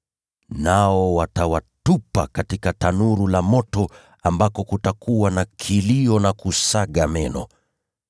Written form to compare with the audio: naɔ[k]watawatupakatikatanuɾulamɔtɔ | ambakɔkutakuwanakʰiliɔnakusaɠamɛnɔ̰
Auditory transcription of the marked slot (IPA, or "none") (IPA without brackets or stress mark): none